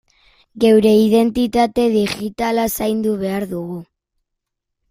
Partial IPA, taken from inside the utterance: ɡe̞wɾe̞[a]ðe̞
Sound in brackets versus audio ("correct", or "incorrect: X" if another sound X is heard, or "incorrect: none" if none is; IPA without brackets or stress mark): incorrect: i